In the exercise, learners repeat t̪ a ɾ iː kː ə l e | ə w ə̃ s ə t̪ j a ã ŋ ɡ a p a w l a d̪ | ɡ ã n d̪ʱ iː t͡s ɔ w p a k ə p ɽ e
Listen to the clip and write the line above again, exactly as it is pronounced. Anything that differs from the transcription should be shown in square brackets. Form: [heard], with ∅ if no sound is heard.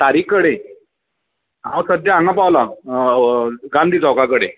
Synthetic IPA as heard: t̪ a ɾ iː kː ə [ɽ] e | [a] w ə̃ s ə [d̪] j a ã ŋ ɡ a p a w l a [∅] | ɡ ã n d̪ʱ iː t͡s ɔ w [k] a k ə [∅] ɽ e